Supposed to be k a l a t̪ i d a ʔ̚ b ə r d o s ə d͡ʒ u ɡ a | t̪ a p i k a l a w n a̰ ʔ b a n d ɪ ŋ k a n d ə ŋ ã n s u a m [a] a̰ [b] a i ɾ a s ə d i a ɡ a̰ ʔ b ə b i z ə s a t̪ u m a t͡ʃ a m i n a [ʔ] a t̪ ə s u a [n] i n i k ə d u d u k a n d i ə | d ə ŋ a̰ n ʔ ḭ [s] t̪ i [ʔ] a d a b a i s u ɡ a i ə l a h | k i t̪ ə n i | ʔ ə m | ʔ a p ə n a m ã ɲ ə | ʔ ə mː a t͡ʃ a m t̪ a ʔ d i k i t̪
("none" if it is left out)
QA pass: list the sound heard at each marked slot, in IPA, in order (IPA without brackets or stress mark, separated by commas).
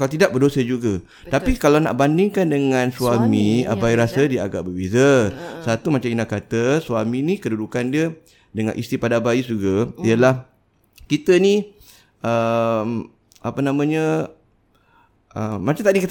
i, b, k, m, s, p